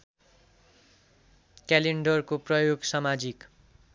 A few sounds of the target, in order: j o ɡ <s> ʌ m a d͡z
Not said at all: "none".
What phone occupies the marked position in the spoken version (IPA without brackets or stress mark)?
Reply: s